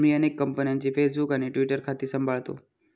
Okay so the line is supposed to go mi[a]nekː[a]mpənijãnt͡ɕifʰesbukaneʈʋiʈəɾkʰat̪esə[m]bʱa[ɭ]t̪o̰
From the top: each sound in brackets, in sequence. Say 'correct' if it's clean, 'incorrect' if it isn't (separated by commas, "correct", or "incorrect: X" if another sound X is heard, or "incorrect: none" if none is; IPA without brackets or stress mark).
incorrect: ə, incorrect: ə, correct, correct